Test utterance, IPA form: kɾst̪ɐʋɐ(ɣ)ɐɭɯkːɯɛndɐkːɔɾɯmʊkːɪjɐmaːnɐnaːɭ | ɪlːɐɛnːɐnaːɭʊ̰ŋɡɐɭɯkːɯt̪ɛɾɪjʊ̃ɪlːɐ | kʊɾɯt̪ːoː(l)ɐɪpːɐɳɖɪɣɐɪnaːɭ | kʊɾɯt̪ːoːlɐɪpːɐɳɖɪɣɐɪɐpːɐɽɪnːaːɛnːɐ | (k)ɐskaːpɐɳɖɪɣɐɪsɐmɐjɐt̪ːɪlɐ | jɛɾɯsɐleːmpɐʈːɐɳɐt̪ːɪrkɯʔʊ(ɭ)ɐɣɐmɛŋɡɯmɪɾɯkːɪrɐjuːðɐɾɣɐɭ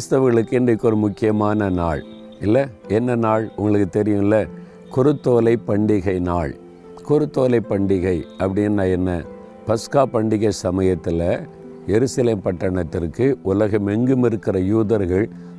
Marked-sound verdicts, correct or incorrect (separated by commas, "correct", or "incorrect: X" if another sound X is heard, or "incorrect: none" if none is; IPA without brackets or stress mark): correct, correct, incorrect: p, incorrect: l